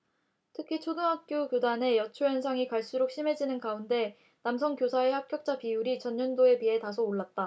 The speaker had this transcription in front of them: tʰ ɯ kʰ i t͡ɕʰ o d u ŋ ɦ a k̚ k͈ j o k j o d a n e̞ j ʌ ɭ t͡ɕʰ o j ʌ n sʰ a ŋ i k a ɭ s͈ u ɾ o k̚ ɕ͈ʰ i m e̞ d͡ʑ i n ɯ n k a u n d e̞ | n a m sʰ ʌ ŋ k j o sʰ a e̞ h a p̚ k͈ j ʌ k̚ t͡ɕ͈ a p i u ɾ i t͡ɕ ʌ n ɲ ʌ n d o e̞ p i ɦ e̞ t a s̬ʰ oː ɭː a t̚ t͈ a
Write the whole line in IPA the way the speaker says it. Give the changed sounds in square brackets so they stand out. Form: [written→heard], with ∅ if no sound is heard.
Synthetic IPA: tʰ ɯ kʰ i t͡ɕʰ o d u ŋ ɦ a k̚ k͈ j o k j o d a n e̞ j ʌ [ɭ→∅] t͡ɕʰ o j ʌ n sʰ a ŋ i k a ɭ s͈ u ɾ o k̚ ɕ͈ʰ i m e̞ d͡ʑ i n ɯ n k a u n d e̞ | n a m sʰ ʌ ŋ k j o sʰ a e̞ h a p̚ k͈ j ʌ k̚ t͡ɕ͈ a p i u ɾ i t͡ɕ ʌ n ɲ ʌ n d o e̞ p i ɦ e̞ t a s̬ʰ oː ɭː a t̚ t͈ a

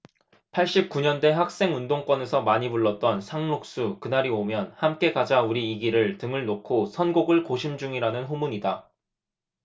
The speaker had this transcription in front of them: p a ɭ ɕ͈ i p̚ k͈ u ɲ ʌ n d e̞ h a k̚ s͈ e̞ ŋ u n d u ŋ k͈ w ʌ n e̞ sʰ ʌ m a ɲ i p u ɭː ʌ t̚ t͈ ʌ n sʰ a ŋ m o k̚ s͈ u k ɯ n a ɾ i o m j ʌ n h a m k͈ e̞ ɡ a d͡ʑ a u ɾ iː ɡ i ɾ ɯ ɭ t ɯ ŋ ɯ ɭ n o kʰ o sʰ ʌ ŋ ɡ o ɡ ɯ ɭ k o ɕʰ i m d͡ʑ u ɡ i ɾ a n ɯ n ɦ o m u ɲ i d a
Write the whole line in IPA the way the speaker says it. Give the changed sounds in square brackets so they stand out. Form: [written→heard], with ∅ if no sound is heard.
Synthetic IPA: [p→pʰ] a ɭ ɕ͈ i p̚ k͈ u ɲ ʌ n d e̞ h a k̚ s͈ e̞ ŋ u n d [u→o] ŋ k͈ w ʌ n e̞ sʰ ʌ m a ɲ i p u ɭː ʌ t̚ t͈ ʌ n sʰ a ŋ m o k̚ s͈ u k ɯ n a ɾ i o m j ʌ n h a m k͈ e̞ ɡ a d͡ʑ a u ɾ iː ɡ i ɾ ɯ ɭ t ɯ ŋ ɯ ɭ n o kʰ o sʰ ʌ [ŋ→n] ɡ o ɡ ɯ ɭ k o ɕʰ i m d͡ʑ u [ɡ→ŋ] i ɾ a n ɯ n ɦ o m u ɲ i d a

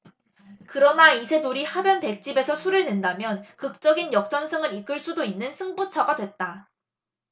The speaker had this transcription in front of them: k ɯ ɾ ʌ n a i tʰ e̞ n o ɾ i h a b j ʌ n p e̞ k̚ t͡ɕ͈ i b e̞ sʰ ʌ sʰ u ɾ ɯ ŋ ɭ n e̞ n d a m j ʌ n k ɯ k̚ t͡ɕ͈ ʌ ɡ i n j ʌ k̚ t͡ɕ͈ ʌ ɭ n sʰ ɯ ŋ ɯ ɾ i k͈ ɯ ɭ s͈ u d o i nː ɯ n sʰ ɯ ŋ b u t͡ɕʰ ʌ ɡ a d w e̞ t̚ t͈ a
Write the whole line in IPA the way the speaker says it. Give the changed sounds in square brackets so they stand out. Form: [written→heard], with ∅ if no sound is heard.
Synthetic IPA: k ɯ ɾ ʌ n a i [tʰ→sʰ] e̞ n o ɾ i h a b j ʌ n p e̞ k̚ t͡ɕ͈ i b e̞ sʰ ʌ sʰ u ɾ ɯ [ŋ→∅] ɭ n e̞ n d a m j ʌ n k ɯ k̚ t͡ɕ͈ ʌ ɡ i n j ʌ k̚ t͡ɕ͈ ʌ [ɭ→∅] n sʰ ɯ ŋ ɯ ɾ i k͈ ɯ ɭ s͈ u d o i nː ɯ n sʰ ɯ ŋ b u t͡ɕʰ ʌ ɡ a d w e̞ t̚ t͈ a

